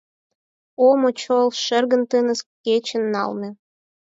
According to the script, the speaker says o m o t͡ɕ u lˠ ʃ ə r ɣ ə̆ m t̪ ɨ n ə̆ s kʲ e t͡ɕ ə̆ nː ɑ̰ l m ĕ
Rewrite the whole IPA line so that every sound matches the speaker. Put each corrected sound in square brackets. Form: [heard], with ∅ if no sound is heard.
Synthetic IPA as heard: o m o t͡ɕ [o] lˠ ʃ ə r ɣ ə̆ [n] t̪ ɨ n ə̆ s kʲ e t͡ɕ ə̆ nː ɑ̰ l m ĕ